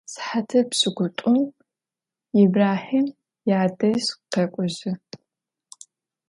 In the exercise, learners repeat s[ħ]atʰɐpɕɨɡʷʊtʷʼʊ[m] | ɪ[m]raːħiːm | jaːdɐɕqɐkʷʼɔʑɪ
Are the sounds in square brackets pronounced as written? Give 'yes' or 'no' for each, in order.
yes, yes, no

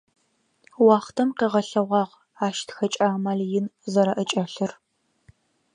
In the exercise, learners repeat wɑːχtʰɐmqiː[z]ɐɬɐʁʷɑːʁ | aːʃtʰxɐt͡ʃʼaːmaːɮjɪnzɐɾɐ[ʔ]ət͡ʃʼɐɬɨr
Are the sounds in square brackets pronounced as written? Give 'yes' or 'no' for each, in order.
no, yes

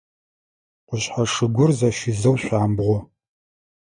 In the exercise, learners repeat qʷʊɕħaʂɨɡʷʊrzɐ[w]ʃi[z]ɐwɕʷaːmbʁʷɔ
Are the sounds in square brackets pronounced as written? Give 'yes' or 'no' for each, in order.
no, yes

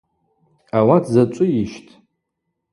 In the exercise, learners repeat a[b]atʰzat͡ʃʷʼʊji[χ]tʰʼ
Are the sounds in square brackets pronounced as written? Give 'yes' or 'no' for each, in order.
no, no

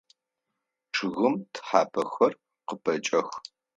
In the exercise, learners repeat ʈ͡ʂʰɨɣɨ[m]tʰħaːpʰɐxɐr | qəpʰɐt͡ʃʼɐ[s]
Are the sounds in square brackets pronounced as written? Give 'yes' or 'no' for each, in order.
yes, no

